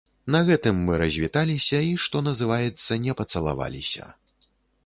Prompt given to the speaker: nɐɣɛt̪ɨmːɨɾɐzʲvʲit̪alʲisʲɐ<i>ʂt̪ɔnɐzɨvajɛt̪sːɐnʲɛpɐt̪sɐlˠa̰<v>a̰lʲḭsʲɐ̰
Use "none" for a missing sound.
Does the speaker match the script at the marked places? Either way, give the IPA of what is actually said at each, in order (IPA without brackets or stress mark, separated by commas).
i, v